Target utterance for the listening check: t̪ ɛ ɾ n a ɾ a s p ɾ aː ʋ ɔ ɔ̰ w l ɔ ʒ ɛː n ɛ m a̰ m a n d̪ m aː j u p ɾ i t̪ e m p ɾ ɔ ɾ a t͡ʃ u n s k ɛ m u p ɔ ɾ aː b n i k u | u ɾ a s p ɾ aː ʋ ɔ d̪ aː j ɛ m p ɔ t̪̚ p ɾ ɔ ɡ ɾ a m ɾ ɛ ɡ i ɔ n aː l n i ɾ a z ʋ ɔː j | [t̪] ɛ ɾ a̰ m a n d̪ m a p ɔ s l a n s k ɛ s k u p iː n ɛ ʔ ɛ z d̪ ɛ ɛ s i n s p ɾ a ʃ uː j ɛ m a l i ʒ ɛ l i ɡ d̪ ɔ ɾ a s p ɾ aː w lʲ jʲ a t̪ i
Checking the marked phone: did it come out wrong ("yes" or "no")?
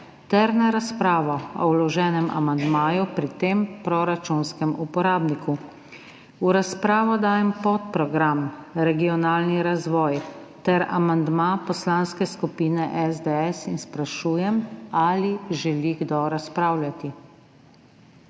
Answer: no